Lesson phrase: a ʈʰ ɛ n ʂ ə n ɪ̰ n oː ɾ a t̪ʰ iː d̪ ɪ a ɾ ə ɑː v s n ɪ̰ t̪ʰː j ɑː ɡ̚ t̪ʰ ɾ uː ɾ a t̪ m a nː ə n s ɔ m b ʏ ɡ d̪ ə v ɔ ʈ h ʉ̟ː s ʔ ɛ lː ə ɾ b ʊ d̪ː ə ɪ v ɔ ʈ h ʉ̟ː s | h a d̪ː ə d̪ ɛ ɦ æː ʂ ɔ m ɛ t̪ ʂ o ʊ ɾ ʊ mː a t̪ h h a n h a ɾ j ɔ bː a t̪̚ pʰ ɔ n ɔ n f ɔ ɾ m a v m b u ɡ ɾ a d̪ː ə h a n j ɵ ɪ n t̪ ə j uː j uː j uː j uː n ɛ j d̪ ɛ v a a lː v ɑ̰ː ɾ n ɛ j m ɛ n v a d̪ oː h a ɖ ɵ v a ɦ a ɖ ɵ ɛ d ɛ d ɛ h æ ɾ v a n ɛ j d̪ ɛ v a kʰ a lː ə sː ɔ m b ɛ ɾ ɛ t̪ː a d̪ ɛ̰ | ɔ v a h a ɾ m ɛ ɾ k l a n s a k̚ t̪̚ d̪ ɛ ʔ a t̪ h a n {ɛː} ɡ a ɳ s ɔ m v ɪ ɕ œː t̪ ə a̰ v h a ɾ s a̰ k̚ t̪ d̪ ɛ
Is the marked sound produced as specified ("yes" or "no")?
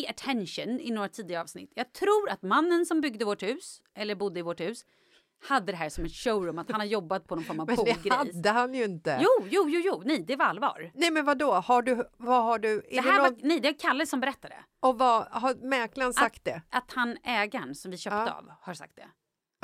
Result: yes